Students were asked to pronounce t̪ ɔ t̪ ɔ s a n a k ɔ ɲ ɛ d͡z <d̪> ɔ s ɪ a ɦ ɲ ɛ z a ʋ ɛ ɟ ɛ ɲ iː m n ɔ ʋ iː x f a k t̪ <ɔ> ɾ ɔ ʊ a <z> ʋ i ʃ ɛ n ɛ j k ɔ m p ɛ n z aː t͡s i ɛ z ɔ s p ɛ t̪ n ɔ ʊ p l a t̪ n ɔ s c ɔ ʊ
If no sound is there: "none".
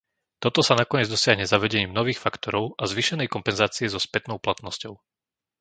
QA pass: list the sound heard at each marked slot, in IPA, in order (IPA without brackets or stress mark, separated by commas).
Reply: d̪, ɔ, z